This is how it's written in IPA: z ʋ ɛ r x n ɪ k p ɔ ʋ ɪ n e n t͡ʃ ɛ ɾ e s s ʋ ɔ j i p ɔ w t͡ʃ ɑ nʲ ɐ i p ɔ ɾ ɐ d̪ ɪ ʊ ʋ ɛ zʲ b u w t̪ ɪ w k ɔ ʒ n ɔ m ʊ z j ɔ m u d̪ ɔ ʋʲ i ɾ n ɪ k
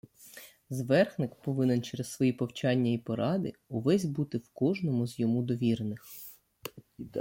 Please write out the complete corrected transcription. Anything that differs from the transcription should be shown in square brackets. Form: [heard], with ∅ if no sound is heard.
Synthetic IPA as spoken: z ʋ ɛ r x n ɪ k p ɔ ʋ ɪ n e n t͡ʃ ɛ ɾ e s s ʋ ɔ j i p ɔ w t͡ʃ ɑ [nʲː] ɐ i p ɔ ɾ [ɑ] d̪ ɪ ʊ ʋ ɛ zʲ b u [∅] t̪ ɪ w k ɔ ʒ n ɔ m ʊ z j ɔ m u d̪ ɔ ʋʲ i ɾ n ɪ [x]